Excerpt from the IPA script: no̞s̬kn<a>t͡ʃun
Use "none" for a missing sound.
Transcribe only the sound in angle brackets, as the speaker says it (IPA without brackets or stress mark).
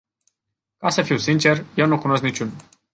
i